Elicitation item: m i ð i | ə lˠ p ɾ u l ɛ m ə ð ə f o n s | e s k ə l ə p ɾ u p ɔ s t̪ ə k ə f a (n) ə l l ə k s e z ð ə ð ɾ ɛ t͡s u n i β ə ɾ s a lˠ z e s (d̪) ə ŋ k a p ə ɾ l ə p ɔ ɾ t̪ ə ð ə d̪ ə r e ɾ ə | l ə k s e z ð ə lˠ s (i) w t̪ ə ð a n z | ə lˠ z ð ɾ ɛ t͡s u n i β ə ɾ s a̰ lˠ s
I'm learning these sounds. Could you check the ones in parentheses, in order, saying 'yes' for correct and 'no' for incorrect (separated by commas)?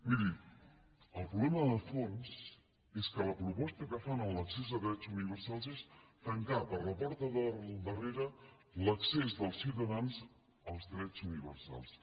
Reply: yes, no, yes